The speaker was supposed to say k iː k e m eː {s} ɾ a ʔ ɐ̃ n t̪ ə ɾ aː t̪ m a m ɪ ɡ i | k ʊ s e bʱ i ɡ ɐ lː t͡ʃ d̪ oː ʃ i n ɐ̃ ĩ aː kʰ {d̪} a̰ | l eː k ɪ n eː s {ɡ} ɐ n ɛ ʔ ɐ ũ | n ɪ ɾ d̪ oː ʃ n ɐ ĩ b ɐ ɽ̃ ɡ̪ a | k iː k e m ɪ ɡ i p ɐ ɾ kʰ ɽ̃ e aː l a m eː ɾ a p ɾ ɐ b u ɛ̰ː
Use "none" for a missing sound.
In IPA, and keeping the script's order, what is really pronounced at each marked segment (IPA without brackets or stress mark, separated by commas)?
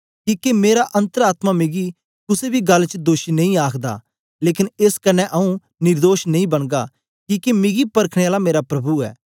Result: none, d̪, k